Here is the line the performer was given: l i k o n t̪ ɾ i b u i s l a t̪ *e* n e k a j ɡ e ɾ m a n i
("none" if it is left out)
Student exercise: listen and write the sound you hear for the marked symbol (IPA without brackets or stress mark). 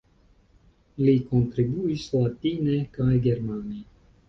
i